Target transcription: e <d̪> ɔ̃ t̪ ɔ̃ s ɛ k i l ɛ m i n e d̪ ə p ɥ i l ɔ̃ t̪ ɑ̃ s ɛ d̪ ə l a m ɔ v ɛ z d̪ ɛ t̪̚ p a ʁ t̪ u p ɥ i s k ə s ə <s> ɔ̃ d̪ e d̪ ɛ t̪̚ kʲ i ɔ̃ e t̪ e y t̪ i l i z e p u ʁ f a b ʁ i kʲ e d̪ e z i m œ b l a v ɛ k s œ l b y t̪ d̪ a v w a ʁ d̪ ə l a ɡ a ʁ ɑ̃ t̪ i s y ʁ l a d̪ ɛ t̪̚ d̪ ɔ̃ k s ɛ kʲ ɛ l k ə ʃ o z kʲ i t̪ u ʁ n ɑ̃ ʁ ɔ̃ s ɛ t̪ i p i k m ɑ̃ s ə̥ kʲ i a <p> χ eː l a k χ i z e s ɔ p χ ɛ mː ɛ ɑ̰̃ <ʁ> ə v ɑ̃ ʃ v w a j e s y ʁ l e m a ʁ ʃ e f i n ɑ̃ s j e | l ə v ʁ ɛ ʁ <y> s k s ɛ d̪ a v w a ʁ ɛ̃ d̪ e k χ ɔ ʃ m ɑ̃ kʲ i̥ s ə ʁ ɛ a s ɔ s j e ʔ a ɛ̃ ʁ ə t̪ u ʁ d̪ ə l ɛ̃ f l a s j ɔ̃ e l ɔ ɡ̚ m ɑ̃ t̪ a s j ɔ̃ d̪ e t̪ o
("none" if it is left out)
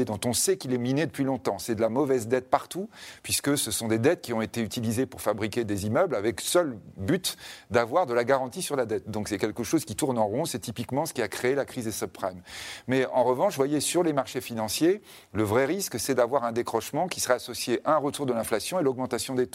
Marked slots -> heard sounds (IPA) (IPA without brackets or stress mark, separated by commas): d̪, s, k, ʁ, i